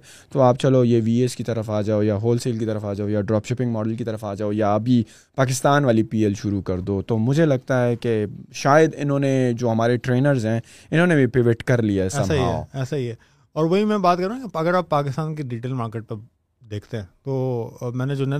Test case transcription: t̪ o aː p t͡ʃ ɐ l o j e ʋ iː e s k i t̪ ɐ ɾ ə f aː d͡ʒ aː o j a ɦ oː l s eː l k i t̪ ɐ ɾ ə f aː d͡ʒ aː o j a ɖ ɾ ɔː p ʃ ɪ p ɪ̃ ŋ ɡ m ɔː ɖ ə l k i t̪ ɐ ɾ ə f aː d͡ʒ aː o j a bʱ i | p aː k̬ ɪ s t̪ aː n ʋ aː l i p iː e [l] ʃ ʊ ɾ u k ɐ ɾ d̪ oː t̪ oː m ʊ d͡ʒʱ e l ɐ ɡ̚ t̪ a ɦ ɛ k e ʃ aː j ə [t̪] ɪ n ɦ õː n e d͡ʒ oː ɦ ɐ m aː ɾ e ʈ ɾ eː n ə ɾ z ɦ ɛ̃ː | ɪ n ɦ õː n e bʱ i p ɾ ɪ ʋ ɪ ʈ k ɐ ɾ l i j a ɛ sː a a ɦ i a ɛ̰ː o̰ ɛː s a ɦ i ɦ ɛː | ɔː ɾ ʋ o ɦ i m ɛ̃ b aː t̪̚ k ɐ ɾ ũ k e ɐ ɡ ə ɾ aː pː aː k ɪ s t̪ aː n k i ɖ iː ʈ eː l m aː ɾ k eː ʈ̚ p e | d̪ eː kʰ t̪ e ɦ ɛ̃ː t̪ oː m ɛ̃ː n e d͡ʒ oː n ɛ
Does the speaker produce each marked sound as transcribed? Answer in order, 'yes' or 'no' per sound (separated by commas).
yes, no